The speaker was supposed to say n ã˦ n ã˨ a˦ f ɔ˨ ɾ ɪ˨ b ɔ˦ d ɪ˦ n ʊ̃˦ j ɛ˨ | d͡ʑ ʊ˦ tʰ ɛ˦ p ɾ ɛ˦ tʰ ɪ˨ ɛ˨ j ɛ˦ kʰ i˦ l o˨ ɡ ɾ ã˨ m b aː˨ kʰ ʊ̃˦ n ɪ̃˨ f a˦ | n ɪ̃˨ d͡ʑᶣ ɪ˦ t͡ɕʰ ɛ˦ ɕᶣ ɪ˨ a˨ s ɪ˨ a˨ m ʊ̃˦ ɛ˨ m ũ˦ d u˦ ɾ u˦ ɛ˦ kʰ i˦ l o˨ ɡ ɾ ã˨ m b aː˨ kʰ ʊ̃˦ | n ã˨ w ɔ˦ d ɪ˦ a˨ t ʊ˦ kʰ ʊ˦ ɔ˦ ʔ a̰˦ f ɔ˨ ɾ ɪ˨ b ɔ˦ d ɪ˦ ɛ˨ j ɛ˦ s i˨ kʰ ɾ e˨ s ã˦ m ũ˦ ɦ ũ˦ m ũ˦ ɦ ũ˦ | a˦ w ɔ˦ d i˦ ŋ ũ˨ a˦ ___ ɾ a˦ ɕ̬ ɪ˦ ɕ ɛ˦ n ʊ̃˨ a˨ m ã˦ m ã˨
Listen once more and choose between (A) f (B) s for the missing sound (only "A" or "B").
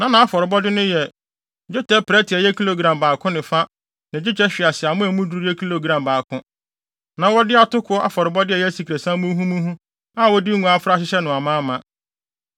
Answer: A